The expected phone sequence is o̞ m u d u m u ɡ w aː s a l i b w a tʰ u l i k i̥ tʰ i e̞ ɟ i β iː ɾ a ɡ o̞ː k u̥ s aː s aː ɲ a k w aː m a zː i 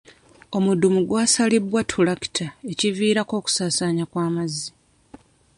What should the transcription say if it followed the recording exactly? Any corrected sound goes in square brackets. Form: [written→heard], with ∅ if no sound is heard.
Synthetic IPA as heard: o̞ m u d u m u ɡ w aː s a l i b w a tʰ u l [i→a] k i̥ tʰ [i→a] e̞ [ɟ→c] i [β→v] iː ɾ a [ɡ→k] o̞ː k u̥ s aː s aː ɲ a k w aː m a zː i